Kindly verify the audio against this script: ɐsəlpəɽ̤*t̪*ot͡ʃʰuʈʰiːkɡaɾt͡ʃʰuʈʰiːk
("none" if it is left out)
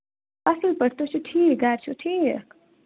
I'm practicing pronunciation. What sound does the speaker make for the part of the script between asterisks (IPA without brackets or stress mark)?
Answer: t̪